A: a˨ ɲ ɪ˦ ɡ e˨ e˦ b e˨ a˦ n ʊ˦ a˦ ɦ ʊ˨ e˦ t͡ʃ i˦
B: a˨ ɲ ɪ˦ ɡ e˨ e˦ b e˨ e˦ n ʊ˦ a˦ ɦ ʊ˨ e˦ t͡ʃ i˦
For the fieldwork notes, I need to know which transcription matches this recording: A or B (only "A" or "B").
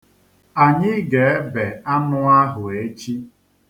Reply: A